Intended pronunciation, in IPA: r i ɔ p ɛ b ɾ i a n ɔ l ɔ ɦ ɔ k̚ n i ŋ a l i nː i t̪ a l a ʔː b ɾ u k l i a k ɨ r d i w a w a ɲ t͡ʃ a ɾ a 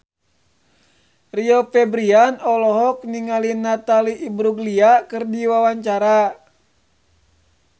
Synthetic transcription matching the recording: r i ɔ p ɛ b ɾ i a n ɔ l ɔ ɦ ɔ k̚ n i ŋ a l i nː a t̪ a l i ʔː b ɾ u ɡ l i a k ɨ r d i w a w a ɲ t͡ʃ a ɾ a